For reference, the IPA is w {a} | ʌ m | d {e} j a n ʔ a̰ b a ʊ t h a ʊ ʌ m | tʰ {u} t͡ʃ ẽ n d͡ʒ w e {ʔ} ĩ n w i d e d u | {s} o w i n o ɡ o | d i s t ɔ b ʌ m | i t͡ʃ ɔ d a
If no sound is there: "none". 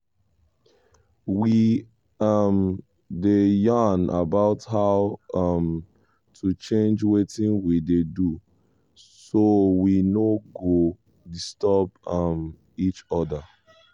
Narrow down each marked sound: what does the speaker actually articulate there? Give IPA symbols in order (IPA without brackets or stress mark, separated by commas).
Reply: i, e, u, t, s